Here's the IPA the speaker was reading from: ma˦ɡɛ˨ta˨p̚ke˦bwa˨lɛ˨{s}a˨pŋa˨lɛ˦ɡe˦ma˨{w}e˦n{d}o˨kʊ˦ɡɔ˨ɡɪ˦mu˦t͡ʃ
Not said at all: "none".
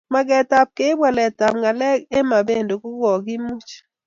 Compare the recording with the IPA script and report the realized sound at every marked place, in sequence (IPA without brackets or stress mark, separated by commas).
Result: t, b, d